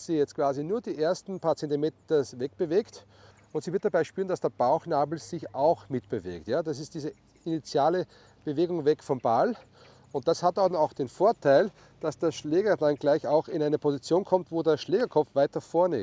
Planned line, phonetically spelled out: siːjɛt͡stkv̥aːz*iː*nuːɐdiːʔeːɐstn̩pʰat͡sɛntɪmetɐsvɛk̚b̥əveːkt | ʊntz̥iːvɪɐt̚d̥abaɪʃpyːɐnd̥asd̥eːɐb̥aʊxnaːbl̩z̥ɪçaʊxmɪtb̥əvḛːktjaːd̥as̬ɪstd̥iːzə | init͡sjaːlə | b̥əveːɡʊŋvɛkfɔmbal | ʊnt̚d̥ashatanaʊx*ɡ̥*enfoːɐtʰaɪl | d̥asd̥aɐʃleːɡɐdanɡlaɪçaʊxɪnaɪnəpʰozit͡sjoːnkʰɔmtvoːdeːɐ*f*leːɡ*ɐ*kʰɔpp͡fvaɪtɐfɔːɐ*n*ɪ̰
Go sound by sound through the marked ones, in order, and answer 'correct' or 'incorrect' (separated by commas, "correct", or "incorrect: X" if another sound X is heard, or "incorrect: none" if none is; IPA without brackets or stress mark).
incorrect: i, incorrect: d̥, incorrect: ʃ, correct, correct